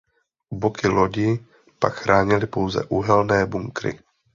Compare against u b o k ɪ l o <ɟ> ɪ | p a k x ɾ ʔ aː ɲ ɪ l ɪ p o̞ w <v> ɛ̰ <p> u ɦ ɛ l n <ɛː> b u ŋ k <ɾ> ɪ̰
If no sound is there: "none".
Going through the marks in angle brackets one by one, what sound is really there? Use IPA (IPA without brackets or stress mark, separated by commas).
ɟ, z, ʔ, ɛː, ɾ